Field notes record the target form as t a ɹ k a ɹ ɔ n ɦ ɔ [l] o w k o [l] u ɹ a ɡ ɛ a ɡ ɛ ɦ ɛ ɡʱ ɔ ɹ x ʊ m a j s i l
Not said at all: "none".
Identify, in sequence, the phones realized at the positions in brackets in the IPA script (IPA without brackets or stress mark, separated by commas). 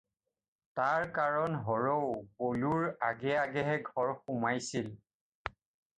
ɹ, l